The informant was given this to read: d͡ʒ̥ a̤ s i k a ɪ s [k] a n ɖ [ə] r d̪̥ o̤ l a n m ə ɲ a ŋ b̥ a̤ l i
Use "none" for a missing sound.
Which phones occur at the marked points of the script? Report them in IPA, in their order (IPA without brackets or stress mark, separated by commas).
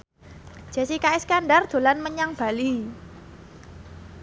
k, a